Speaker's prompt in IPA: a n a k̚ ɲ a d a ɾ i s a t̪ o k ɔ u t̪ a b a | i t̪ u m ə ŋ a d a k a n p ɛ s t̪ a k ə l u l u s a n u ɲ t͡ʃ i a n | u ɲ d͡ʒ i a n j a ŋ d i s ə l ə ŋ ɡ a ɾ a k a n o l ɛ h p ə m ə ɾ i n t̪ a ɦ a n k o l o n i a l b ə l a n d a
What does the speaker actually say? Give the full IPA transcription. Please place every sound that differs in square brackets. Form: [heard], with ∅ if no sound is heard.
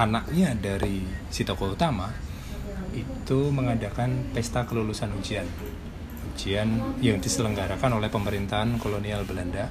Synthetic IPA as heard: a n a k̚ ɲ a d a ɾ i s [i] t̪ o k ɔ u t̪ a [m] a | i t̪ u m ə ŋ a d a k a n p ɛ s t̪ a k ə l u l u s a n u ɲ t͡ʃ i a n | u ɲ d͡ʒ i a n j a ŋ d i s ə l ə ŋ ɡ a ɾ a k a n o l ɛ h p ə m ə ɾ i n t̪ a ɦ a n k o l o n i a l b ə l a n d a